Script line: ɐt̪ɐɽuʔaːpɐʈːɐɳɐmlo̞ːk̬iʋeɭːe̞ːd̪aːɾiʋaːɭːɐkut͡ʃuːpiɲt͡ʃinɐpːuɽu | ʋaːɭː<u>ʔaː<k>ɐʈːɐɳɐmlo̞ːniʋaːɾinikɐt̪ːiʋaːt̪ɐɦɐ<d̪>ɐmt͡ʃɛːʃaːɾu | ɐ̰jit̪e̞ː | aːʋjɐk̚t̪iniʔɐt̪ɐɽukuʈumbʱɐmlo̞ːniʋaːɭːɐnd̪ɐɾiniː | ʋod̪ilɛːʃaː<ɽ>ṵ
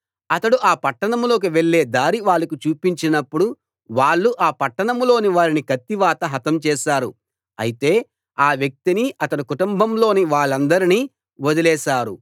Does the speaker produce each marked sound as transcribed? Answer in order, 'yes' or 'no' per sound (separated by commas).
yes, no, no, no